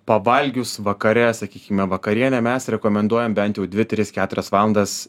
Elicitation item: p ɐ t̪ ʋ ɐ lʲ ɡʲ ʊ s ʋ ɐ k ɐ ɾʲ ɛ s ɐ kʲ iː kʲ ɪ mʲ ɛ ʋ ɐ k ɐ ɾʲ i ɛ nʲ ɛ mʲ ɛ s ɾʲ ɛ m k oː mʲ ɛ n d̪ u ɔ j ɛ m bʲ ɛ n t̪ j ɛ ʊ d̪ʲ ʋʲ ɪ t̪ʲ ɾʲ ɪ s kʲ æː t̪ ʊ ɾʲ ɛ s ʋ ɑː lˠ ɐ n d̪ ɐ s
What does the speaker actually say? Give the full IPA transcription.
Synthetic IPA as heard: p ɐ ʋ ɐ lʲ ɡʲ ʊ s ʋ ɐ k ɐ ɾʲ ɛ s ɐ kʲ iː kʲ ɪ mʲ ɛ ʋ ɐ k ɐ ɾʲ i ɛ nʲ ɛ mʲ ɛ s ɾʲ ɛ k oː mʲ ɛ n d̪ u ɔ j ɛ m bʲ ɛ n t̪ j ɛ ʊ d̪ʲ ʋʲ ɪ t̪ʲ ɾʲ ɪ s kʲ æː t̪ ʊ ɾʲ ɛ s ʋ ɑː lˠ ɐ n d̪ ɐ s